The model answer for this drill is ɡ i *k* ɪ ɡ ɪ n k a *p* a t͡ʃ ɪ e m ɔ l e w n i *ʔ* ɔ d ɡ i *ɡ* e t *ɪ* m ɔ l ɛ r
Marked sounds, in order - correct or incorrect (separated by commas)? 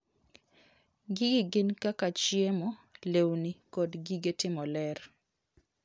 incorrect, incorrect, incorrect, correct, correct